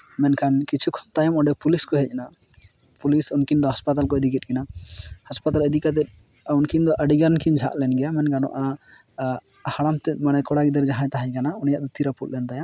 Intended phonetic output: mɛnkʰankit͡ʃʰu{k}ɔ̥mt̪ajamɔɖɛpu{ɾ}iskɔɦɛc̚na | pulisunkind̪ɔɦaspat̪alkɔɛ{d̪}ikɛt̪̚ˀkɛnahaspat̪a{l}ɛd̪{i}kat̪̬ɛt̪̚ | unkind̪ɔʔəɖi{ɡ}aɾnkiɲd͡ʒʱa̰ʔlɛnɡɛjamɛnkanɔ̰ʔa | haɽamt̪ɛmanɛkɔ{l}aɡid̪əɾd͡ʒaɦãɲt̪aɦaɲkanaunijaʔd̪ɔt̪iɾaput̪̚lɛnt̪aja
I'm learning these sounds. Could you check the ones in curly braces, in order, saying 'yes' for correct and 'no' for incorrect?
no, no, yes, yes, yes, yes, no

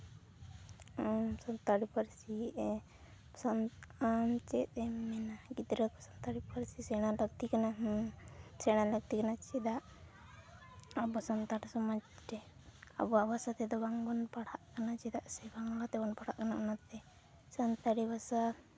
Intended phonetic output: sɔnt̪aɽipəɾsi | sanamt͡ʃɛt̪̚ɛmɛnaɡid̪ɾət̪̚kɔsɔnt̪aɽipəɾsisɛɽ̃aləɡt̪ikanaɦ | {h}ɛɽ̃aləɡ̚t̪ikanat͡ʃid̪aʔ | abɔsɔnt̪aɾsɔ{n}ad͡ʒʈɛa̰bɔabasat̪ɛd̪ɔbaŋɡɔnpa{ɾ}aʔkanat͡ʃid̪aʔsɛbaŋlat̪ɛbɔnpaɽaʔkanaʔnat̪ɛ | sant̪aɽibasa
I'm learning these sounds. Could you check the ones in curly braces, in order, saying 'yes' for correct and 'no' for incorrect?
no, no, no

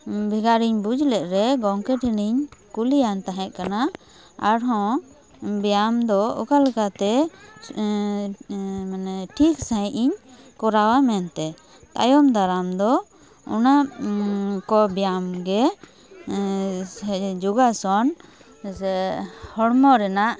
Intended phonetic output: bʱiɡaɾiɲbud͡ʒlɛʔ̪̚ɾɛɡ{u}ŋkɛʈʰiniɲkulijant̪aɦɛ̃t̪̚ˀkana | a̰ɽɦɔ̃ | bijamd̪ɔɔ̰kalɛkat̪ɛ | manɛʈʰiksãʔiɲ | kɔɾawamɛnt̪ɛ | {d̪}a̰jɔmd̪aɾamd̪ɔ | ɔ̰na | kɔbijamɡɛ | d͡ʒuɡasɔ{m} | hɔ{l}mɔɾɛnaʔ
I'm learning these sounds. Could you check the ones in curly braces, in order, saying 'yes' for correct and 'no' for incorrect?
no, no, no, no

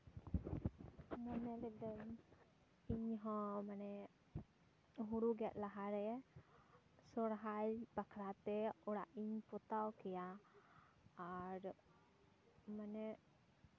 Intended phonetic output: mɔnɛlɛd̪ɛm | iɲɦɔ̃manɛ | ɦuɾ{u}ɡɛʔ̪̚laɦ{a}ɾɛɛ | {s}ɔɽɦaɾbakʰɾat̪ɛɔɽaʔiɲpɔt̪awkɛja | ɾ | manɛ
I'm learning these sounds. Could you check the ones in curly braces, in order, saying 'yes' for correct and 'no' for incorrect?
yes, yes, yes

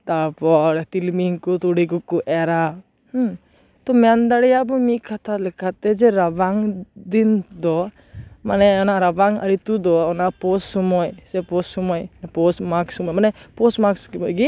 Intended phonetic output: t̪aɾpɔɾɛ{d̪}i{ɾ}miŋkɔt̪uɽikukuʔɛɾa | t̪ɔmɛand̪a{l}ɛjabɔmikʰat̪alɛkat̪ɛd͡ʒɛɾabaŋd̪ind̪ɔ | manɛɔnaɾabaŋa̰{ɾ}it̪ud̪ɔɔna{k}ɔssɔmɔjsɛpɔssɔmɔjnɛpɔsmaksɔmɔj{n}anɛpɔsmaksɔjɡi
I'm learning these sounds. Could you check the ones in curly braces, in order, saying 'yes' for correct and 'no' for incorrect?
no, no, no, yes, no, no

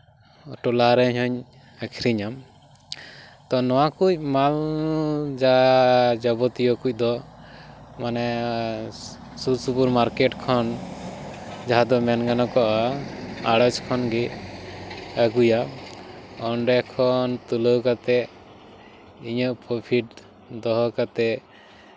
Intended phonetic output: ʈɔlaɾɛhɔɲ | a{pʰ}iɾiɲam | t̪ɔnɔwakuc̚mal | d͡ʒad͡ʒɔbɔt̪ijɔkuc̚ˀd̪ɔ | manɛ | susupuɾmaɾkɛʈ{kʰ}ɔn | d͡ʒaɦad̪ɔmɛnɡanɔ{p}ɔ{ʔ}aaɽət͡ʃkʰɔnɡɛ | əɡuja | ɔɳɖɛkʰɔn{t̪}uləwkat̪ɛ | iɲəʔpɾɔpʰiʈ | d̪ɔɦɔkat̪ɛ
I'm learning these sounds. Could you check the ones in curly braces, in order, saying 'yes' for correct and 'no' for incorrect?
no, yes, no, yes, yes

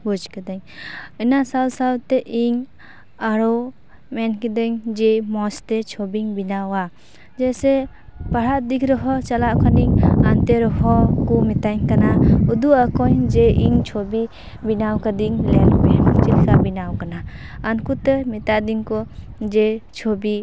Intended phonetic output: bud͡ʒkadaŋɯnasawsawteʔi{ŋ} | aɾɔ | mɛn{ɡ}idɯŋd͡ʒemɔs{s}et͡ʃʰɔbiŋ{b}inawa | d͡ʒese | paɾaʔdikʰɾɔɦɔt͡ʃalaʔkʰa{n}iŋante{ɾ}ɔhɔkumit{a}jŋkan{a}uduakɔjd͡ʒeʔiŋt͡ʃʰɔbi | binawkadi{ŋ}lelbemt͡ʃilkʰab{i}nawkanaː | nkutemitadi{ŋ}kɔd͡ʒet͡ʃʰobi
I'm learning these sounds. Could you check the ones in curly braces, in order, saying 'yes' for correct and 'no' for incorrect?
yes, no, no, yes, yes, yes, yes, yes, yes, yes, yes

